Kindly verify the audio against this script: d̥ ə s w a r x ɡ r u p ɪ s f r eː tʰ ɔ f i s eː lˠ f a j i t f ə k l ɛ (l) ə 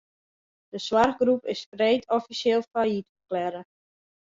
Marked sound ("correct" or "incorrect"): incorrect